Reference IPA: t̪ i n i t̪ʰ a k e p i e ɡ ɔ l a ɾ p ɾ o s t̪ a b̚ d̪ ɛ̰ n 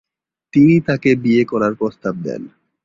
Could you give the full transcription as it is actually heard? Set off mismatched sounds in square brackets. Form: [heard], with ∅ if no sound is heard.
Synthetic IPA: t̪ i n i [t̪] a k e [b] i e [k] ɔ [ɾ] a ɾ p ɾ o s t̪ a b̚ d̪ ɛ̰ n